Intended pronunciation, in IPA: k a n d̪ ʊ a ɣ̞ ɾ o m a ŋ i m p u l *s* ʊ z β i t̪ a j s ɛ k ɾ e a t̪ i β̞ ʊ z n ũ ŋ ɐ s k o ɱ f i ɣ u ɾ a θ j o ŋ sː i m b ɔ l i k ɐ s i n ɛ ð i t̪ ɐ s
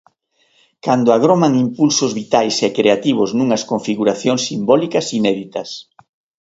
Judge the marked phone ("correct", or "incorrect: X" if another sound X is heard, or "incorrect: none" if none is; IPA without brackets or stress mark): correct